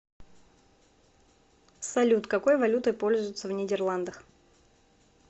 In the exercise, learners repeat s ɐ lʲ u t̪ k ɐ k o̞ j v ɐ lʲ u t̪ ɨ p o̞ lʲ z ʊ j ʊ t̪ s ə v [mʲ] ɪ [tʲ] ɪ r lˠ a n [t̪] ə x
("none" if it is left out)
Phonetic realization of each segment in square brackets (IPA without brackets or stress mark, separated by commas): nʲ, dʲ, d̪